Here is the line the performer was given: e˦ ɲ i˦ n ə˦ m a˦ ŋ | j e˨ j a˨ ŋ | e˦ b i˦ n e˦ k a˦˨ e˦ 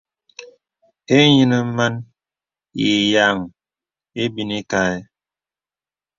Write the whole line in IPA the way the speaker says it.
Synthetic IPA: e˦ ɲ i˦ n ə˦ m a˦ n | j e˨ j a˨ ŋ | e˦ b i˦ n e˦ k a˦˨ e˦